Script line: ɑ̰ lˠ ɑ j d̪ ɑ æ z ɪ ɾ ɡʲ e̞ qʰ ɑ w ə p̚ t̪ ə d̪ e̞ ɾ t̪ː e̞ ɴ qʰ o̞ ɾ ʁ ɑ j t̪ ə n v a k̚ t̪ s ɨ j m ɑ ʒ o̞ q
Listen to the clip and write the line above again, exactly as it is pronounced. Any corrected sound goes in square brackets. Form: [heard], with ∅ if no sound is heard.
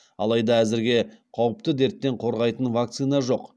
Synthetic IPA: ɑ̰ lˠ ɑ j d̪ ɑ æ z ɪ ɾ ɡʲ e̞ qʰ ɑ w ə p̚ t̪ ə d̪ e̞ ɾ t̪ː e̞ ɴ qʰ o̞ ɾ ʁ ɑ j t̪ ə n v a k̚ t̪ s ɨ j [n] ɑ ʒ o̞ q